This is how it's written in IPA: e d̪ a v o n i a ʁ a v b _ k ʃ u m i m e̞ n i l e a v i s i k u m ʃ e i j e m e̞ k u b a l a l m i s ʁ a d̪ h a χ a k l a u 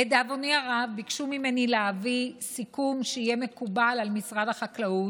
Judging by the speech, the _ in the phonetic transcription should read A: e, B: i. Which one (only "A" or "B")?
B